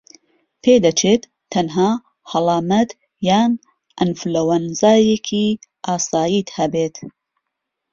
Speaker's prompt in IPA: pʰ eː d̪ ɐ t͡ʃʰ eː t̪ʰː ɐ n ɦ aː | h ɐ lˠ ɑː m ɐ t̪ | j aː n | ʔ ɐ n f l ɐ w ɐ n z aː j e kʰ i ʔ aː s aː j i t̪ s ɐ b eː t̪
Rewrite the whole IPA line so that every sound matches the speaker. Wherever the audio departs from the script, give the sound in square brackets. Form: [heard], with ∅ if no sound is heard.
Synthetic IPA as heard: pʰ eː d̪ ɐ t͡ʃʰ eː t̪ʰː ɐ n ɦ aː | h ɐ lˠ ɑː m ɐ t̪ | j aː n | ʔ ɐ n f l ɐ w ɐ n z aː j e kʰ i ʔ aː s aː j i t̪ [h] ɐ b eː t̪